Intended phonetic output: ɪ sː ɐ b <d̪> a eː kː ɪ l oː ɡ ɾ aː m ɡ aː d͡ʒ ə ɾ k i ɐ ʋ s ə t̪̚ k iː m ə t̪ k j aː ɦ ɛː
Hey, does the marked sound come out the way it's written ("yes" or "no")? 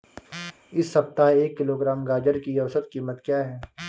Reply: no